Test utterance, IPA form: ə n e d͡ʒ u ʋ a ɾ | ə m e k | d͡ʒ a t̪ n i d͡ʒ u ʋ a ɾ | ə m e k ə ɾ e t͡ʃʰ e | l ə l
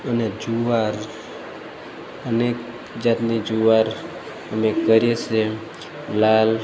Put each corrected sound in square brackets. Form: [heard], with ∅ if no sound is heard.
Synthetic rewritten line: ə n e d͡ʒ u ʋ a ɾ | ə [n] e k | d͡ʒ a t̪ n i d͡ʒ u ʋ a ɾ | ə m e k ə ɾ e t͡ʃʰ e | l [a] l